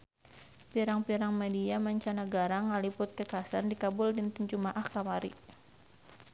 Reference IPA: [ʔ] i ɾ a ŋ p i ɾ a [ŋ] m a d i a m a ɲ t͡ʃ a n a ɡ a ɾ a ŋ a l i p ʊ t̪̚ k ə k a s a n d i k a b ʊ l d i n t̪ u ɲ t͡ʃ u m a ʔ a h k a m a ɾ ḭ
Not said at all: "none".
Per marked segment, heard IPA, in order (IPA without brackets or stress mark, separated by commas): p, ŋ